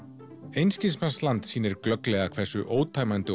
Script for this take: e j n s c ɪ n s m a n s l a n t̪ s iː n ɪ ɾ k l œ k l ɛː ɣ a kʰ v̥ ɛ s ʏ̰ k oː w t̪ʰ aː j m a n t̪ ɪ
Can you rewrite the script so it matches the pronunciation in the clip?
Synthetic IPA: e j n s c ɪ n s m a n s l a n t̪ s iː n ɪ ɾ k l œ k l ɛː ɣ a kʰ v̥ ɛ s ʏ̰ ʔ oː w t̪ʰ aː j m a n t̪ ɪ